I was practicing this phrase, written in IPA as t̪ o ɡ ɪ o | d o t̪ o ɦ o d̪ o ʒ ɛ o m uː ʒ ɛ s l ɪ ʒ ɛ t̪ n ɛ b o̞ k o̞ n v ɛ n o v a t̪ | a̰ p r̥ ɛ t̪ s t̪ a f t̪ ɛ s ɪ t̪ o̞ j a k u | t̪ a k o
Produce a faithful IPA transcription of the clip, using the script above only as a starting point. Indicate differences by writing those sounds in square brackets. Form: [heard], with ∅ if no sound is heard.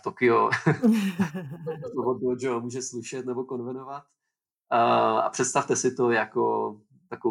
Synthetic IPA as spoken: t̪ o [k] ɪ o | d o t̪ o ɦ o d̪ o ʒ ɛ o m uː ʒ ɛ s l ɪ [ʃ] ɛ t̪ n ɛ b o̞ k o̞ n v ɛ n o v a t̪ | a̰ p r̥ ɛ t̪ s t̪ a f t̪ ɛ s ɪ t̪ o̞ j a k [o] | t̪ a k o